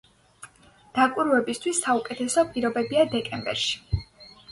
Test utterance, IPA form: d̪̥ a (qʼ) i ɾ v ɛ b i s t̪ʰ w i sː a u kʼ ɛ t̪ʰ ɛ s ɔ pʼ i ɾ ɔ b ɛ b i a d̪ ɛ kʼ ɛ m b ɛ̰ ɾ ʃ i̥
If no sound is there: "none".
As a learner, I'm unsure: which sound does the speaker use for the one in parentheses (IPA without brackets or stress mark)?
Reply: kʼ